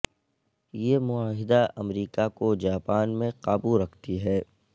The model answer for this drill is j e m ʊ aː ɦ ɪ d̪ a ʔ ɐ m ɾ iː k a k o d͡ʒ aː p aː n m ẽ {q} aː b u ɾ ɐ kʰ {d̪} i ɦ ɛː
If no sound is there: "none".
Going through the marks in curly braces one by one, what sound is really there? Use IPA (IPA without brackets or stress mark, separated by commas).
q, t̪